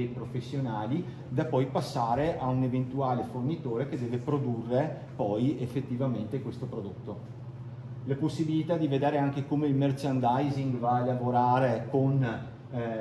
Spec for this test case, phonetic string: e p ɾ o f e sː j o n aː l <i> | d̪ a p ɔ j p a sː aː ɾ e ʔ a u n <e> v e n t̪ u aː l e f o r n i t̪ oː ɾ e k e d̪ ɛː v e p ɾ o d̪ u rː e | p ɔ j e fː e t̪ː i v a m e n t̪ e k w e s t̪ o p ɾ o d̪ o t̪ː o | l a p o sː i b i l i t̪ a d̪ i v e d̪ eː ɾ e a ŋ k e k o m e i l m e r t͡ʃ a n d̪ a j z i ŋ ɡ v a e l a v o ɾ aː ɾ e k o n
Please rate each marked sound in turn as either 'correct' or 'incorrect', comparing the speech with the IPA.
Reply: correct, correct

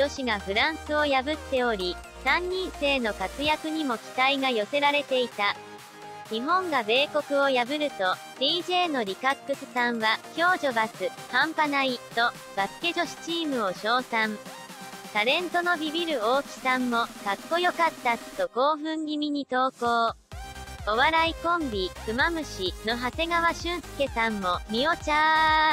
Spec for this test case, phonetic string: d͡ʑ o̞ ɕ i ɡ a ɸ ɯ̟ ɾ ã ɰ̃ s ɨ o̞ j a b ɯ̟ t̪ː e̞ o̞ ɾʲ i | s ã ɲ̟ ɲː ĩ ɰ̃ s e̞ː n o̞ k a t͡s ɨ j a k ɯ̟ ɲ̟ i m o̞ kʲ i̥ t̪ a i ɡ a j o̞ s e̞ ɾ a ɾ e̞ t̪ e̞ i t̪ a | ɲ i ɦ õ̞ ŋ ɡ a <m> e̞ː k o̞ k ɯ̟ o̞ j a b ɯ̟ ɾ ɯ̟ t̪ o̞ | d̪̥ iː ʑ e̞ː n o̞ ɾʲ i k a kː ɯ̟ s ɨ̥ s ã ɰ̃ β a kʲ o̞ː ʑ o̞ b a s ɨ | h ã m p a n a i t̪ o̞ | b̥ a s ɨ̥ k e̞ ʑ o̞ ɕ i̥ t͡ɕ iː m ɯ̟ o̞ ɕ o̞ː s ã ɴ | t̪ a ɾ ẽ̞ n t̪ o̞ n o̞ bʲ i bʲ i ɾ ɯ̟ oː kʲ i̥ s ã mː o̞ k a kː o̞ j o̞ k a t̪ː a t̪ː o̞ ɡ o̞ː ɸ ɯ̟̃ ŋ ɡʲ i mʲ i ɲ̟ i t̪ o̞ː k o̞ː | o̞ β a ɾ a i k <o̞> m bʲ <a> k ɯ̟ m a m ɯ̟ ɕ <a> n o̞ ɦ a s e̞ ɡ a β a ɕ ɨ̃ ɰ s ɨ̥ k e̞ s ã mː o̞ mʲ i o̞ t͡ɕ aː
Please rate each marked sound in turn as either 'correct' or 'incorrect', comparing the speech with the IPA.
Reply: incorrect: b, incorrect: õ̞, incorrect: i, incorrect: i

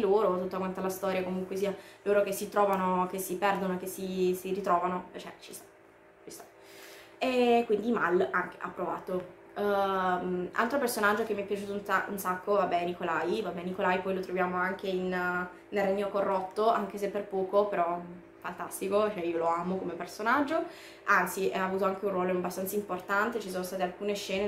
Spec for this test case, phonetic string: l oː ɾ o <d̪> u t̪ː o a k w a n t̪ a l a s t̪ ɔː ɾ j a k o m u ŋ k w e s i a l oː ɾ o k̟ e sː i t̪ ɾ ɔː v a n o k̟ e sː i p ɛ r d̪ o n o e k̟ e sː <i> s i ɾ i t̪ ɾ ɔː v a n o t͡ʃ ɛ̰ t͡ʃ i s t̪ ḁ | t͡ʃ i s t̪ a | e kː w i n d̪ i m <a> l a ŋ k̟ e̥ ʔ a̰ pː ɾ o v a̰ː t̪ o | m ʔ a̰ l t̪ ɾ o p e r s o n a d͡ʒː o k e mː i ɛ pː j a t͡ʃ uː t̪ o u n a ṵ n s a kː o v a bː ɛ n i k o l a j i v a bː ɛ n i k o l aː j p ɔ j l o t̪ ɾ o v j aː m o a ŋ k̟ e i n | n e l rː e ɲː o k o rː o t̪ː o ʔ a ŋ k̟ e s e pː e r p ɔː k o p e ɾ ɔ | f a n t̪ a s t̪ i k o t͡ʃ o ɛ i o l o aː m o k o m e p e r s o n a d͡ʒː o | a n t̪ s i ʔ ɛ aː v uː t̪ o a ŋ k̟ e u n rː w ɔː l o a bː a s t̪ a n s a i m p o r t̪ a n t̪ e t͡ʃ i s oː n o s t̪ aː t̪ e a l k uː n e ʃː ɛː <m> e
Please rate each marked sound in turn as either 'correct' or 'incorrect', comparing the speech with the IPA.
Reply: incorrect: t̪, correct, correct, incorrect: n

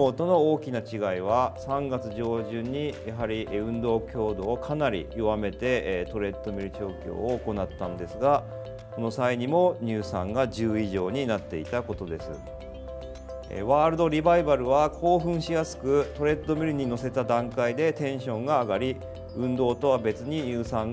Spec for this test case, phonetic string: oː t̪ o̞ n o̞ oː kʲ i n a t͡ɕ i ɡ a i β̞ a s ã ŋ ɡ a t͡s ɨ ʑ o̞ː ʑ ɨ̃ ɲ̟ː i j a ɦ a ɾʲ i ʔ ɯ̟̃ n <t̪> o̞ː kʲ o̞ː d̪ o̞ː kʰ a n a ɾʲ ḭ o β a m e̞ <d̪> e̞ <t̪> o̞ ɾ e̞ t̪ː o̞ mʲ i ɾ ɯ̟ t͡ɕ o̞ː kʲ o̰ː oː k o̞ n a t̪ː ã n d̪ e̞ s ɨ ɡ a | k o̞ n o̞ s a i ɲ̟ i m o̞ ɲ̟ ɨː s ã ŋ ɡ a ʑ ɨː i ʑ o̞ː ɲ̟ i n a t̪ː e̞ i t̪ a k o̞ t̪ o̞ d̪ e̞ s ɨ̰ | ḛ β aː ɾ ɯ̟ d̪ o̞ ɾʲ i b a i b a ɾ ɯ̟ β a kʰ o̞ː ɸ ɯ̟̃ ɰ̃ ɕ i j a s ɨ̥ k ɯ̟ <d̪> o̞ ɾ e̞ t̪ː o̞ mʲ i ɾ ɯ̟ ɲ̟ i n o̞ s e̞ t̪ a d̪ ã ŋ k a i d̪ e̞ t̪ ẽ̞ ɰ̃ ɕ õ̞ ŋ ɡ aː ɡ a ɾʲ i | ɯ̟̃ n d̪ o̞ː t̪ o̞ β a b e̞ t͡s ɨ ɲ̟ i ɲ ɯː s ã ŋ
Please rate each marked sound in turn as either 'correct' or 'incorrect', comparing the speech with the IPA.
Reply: incorrect: d̪, incorrect: t̪, correct, incorrect: t̪

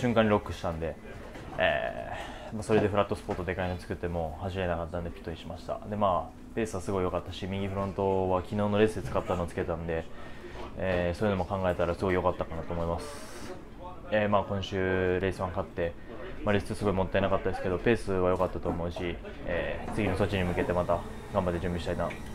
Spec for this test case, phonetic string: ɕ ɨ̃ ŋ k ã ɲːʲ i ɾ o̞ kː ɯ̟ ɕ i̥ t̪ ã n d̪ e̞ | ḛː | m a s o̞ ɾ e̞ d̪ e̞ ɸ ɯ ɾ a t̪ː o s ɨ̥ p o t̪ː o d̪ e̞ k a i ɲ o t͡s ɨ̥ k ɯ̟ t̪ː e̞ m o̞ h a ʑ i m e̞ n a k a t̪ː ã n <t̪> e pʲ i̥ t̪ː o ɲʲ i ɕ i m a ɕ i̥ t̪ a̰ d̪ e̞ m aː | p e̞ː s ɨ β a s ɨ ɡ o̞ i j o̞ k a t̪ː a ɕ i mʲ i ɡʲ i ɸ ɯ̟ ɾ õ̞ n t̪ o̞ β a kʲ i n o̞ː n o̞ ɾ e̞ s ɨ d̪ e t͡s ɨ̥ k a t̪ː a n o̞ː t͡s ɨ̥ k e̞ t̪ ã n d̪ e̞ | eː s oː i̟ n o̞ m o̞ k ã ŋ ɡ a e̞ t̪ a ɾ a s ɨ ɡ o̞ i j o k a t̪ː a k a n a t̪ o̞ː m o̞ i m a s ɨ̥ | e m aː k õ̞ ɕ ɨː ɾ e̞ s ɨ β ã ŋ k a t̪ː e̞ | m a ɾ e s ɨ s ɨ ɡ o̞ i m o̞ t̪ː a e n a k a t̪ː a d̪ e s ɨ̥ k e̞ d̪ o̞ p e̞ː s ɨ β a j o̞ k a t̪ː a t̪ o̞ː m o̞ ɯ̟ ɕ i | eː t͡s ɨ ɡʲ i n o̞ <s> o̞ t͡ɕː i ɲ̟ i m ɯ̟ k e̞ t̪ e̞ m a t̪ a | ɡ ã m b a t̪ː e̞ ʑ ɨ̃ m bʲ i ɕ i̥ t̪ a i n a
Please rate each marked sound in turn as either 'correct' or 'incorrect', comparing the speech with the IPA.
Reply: incorrect: d̪, correct

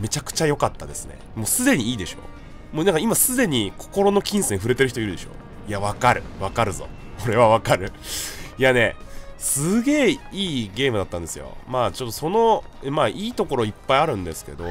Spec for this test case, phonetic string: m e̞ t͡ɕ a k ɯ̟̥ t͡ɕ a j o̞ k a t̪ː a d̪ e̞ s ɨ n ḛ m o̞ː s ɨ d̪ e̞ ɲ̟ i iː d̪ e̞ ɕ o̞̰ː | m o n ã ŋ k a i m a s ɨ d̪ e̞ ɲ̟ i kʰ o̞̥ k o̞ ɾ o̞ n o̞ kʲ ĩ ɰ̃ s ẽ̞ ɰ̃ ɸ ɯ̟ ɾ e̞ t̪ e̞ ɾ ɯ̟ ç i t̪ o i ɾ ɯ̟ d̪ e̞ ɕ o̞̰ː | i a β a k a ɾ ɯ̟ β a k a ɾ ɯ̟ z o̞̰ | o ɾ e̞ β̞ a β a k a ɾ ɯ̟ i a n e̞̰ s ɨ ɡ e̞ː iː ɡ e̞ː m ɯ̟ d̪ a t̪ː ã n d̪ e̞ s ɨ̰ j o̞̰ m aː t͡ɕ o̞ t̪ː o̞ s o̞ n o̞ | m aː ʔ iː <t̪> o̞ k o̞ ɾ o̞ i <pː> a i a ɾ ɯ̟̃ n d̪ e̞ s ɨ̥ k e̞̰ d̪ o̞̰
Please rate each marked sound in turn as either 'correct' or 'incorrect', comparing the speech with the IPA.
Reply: correct, correct

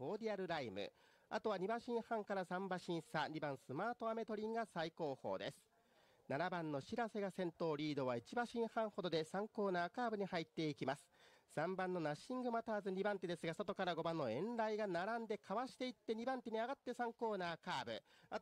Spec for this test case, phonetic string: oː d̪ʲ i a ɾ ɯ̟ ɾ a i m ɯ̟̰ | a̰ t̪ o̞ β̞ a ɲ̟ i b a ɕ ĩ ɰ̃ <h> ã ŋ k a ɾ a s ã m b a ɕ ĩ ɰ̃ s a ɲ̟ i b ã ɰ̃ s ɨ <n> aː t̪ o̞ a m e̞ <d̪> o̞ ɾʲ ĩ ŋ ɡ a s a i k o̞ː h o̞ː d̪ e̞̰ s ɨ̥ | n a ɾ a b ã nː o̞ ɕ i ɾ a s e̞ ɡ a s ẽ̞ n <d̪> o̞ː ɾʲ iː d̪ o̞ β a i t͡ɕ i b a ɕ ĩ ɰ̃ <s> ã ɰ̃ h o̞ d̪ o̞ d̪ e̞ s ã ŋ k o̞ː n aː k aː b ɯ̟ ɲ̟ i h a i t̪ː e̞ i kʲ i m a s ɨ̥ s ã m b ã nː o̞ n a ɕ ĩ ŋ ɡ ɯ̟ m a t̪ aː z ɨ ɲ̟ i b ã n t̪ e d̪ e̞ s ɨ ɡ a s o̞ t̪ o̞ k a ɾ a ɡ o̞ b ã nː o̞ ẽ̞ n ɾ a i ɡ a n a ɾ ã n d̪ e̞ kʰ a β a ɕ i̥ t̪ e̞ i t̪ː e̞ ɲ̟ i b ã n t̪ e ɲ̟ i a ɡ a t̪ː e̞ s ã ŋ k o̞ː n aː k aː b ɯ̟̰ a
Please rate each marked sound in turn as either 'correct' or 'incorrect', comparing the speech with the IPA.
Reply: correct, incorrect: m, incorrect: t̪, incorrect: t̪, incorrect: h

